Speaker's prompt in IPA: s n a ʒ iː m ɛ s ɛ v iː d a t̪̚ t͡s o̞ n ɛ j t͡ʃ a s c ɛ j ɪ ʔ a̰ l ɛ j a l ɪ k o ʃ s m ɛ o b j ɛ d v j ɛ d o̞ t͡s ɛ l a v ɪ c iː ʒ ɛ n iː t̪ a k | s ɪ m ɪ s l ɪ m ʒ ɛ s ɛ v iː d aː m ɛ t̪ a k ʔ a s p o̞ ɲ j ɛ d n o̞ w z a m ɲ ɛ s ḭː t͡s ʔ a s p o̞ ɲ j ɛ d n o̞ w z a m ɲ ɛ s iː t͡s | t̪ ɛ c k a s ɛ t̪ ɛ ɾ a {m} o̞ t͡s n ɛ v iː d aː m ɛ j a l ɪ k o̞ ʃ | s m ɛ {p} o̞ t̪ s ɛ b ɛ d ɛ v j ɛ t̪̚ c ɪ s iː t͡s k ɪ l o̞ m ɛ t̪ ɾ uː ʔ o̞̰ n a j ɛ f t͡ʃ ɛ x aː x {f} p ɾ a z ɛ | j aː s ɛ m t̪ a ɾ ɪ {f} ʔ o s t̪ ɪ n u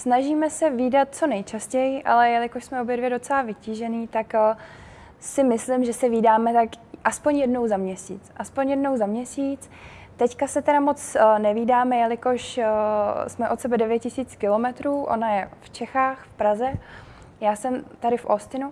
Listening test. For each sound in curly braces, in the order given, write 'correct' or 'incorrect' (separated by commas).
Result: correct, incorrect, correct, correct